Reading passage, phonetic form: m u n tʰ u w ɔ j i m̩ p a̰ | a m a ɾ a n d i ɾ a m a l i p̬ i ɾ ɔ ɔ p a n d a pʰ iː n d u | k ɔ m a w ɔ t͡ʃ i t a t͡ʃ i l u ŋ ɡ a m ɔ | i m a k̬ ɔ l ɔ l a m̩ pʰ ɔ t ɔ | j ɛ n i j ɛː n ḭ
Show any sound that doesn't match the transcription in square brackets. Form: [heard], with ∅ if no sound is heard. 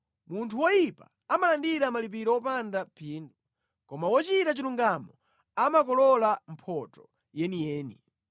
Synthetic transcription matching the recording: m u n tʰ u w ɔ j i [∅] p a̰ | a m a [l] a n d i ɾ a m a l i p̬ i ɾ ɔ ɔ p a n d a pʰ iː n d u | k ɔ m a w ɔ t͡ʃ i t a t͡ʃ i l u ŋ ɡ a m ɔ | [a] m a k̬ ɔ l ɔ l a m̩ pʰ ɔ t ɔ | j ɛ n i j ɛː n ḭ